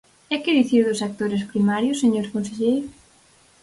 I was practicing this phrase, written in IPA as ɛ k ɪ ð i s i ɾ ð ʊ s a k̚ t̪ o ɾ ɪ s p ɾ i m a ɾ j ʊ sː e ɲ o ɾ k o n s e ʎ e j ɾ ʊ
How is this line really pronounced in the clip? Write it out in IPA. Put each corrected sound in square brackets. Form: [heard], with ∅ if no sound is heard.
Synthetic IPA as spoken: ɛ k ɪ ð i [θ] i ɾ ð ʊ s a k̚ t̪ o ɾ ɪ s p ɾ i m a ɾ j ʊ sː e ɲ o ɾ k o n s e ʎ e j ɾ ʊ